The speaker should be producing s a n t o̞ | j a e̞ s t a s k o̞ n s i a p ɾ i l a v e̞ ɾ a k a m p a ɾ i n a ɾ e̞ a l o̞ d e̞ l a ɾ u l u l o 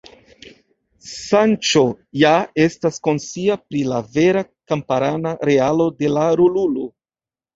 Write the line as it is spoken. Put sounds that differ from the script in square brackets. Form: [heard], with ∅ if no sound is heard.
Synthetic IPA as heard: s a n [t͡ʃ] o̞ | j a e̞ s t a s k o̞ n s i a p ɾ i l a v e̞ ɾ a k a m p a ɾ [a] n a ɾ e̞ a l o̞ d e̞ l a ɾ u l u l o